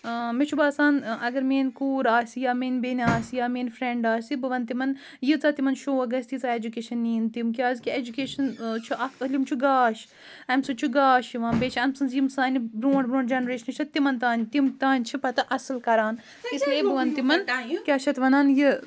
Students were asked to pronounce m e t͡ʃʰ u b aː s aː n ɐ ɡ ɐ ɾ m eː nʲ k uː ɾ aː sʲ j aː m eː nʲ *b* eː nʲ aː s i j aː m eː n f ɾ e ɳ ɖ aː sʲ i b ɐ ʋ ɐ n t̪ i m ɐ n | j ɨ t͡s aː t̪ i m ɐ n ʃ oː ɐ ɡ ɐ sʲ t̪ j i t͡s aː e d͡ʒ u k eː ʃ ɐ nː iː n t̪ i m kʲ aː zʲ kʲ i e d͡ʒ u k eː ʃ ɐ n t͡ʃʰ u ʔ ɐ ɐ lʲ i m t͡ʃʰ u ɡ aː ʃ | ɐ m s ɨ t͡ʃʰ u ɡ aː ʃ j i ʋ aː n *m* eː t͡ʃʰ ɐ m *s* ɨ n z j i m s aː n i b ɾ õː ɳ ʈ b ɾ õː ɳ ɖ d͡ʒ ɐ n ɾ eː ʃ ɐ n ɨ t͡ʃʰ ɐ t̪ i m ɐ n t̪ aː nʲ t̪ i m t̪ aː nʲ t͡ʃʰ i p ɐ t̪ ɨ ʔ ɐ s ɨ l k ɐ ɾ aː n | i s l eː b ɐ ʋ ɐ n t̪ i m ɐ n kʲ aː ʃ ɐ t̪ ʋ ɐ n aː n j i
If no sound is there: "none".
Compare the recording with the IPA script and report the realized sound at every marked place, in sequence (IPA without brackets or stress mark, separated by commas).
b, b, s